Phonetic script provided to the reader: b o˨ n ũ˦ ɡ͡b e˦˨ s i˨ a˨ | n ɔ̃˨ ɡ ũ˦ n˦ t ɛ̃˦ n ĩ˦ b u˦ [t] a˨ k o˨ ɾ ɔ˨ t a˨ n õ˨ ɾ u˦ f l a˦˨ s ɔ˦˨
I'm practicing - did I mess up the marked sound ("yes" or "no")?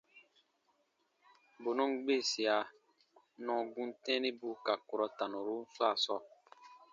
yes